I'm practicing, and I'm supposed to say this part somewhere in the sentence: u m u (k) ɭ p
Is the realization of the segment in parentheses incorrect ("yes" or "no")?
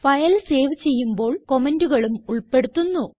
yes